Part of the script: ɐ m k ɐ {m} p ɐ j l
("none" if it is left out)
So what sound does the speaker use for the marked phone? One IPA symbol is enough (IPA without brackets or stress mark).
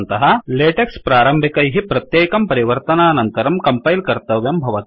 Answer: m